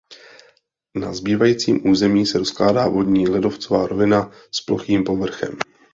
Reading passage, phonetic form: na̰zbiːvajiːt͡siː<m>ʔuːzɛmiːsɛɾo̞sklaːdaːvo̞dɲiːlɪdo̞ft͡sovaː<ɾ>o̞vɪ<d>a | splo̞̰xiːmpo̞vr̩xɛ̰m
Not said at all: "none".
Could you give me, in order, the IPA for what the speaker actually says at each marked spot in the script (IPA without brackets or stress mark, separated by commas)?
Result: m, ɾ, n